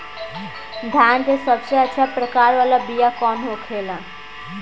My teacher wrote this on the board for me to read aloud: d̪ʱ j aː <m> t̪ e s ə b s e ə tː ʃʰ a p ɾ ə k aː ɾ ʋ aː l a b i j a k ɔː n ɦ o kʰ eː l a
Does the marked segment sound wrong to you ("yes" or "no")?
yes